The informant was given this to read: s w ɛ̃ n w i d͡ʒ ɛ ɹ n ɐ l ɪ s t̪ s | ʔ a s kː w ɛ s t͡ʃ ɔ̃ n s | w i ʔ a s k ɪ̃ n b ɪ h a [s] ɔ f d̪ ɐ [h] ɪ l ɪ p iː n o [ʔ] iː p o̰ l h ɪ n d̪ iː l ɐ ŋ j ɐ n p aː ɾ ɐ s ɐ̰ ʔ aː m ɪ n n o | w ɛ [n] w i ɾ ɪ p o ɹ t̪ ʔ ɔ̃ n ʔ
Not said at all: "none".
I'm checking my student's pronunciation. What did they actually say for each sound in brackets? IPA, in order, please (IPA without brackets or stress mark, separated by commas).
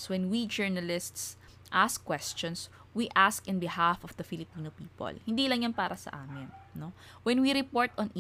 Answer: f, f, p, n